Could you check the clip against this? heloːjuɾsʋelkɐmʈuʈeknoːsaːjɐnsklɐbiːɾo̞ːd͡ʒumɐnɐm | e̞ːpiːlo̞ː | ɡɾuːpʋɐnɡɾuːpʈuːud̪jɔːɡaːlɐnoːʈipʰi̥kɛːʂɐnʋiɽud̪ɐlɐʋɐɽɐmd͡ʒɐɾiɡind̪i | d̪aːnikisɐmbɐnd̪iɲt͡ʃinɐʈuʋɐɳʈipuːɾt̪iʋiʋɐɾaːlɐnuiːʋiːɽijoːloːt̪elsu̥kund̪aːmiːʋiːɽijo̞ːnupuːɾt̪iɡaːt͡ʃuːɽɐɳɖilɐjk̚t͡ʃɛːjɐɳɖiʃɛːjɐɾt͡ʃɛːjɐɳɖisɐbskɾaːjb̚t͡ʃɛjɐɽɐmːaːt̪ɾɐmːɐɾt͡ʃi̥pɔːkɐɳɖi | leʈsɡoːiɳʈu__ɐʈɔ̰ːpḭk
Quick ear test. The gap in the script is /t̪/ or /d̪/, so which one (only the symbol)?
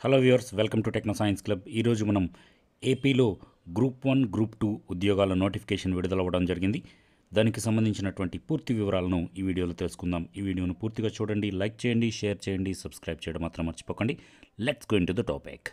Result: d̪